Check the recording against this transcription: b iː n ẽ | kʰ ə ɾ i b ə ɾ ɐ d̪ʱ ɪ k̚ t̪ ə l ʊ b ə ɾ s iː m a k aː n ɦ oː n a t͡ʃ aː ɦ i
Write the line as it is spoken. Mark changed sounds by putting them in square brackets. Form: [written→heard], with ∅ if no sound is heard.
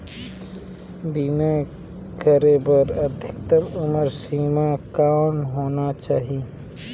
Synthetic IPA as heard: b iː [n→m] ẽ | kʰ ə ɾ [i→e] b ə ɾ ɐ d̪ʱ ɪ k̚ t̪ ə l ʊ [b→m] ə ɾ s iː m a k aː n ɦ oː n a t͡ʃ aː ɦ i